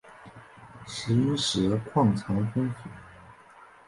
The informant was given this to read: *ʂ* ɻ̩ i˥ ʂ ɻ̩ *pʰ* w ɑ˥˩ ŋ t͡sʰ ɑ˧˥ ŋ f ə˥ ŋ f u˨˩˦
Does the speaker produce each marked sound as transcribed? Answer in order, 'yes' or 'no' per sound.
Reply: yes, no

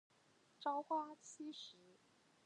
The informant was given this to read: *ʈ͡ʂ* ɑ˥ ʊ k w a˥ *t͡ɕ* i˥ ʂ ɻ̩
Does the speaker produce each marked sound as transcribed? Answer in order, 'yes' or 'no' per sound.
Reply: yes, no

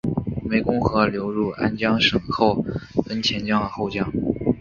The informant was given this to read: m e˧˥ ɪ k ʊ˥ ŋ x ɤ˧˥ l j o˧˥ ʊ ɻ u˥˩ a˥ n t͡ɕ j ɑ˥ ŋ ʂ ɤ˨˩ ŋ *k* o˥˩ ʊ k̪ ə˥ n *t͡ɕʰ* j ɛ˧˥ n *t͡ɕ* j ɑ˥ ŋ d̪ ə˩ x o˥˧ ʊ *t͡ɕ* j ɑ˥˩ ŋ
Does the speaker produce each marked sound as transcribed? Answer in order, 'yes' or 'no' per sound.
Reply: no, yes, yes, yes

